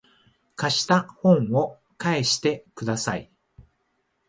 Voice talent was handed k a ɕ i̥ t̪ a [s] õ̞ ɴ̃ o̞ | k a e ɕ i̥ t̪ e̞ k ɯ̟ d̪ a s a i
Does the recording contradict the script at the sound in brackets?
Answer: yes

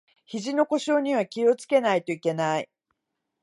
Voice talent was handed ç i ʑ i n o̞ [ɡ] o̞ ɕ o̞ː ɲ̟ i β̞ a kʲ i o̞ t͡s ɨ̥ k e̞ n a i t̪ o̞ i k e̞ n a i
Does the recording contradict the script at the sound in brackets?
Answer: yes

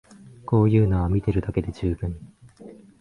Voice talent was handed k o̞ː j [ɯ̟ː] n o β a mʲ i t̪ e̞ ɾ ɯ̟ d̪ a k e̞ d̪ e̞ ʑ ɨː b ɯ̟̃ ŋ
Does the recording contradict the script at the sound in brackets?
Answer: no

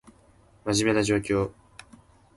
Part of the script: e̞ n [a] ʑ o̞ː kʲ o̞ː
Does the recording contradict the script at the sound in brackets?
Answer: no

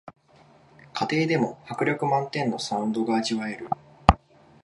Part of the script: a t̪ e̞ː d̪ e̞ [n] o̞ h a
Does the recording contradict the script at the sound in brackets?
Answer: yes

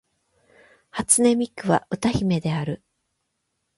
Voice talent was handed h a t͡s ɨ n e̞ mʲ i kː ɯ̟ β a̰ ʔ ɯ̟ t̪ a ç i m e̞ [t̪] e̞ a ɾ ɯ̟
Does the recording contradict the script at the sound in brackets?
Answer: yes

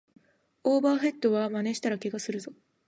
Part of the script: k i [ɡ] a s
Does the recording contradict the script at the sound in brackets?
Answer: no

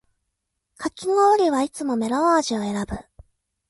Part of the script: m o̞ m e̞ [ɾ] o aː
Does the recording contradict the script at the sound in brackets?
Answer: no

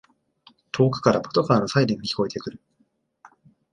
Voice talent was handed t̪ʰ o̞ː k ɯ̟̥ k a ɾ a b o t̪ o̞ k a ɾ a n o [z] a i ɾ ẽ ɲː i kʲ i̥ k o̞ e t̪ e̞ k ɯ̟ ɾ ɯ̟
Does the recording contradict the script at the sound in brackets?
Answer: yes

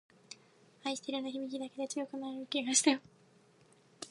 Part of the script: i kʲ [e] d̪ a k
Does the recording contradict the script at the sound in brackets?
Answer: yes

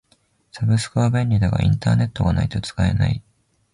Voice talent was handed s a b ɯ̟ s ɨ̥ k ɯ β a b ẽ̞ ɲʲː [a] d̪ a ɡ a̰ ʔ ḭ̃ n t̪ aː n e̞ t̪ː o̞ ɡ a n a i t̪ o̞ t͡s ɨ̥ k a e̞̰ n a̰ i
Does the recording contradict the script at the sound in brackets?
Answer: yes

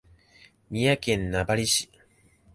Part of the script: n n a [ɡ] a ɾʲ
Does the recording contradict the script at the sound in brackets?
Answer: yes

